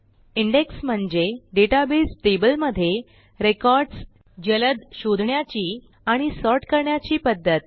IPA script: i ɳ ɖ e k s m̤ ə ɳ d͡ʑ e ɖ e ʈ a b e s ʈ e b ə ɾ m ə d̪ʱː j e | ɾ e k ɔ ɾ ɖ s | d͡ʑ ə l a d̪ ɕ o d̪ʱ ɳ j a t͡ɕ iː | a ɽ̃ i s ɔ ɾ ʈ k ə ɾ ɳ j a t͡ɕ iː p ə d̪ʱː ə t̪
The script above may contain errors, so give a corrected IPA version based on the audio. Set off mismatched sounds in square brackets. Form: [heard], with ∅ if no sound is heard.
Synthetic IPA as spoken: i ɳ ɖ e k s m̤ ə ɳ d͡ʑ e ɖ e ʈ a b e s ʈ e b ə [l] m ə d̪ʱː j e | ɾ e k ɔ ɾ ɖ s | d͡ʑ ə l [ə] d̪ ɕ o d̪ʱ ɳ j a t͡ɕ iː | a ɽ̃ i s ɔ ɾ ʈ k ə ɾ ɳ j a t͡ɕ iː p ə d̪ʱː ə t̪